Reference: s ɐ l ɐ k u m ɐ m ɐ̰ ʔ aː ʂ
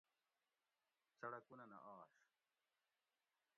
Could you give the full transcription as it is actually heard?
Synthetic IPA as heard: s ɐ ɽ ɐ k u n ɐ n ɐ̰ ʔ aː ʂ